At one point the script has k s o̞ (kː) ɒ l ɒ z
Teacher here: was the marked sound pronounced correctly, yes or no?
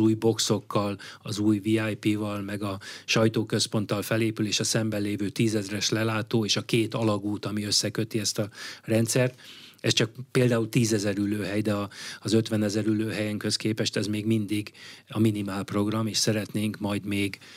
yes